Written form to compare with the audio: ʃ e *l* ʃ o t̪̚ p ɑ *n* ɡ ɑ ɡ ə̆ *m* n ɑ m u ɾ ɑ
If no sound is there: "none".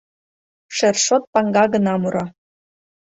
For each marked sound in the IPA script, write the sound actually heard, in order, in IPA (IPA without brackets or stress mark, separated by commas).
r, ŋ, none